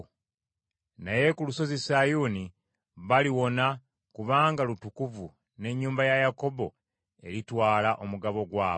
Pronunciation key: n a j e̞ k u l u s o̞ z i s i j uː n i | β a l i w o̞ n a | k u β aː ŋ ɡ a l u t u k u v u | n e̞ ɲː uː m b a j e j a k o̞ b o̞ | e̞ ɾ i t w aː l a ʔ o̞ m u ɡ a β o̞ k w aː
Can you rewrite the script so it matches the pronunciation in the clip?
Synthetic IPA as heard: n a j e̞ k u l u s o̞ z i s a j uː n i | β a l i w o̞ n a | k u β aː ŋ ɡ a l u t u k u v u | n e̞ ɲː uː m b a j a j a k o̞ b o̞ | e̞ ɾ i t w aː l a ʔ o̞ m u ɡ a β o̞ ɡ w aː